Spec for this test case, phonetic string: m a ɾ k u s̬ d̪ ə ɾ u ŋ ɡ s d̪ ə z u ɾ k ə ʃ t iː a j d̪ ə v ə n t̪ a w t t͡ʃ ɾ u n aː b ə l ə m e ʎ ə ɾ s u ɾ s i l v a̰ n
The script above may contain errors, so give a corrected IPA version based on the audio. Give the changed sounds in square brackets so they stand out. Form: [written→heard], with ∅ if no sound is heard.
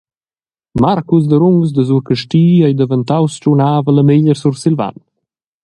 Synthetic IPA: m a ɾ k u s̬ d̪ ə ɾ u ŋ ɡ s d̪ ə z u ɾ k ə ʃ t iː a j d̪ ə v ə n t̪ a w [t→s] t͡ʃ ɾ u n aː [b→v] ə l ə m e ʎ ə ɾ s u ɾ s i l v a̰ n